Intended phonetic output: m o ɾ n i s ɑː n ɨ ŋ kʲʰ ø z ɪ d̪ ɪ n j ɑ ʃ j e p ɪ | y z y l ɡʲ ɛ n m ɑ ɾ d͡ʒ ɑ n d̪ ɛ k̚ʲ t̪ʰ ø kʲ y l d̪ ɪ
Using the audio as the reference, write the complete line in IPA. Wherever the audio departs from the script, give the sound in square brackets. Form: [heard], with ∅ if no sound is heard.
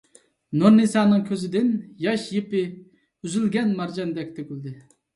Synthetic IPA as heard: [n] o ɾ n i s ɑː n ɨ ŋ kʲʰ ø z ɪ d̪ ɪ n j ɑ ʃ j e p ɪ | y z y l ɡʲ ɛ n m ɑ ɾ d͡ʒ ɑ n d̪ ɛ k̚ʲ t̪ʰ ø kʲ y l d̪ ɪ